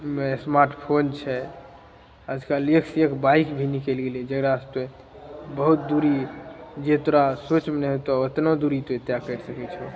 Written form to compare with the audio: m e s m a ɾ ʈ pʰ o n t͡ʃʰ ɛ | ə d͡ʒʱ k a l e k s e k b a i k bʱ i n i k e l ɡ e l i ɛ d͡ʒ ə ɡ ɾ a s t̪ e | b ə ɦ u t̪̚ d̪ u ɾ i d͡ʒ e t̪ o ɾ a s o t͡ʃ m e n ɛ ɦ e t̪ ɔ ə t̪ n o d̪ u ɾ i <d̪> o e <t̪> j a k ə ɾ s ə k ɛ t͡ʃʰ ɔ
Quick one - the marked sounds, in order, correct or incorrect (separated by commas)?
incorrect, correct